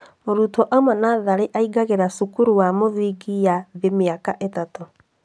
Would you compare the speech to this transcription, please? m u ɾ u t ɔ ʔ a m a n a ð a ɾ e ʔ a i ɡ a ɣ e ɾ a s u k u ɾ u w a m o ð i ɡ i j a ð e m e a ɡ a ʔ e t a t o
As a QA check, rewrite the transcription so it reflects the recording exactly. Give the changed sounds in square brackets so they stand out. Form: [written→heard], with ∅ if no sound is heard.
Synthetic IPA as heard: m [u→o] ɾ u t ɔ ʔ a m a n a ð a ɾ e ʔ a i ɡ a ɣ e ɾ a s u k u ɾ u w a m o ð i ɡ i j a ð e m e a [ɡ→k] a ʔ e t a t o